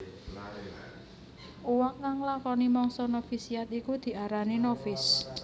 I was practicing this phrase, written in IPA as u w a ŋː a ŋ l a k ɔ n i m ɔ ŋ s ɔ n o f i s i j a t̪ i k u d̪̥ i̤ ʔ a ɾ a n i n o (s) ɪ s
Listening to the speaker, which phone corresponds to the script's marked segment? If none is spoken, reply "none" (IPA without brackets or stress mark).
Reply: f